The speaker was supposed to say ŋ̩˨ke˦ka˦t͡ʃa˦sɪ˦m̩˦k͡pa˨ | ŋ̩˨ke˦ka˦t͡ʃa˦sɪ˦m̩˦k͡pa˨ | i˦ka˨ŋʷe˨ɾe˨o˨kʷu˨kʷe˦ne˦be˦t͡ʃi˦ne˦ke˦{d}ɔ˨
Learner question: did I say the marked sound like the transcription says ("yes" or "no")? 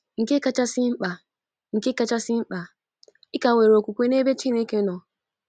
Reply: no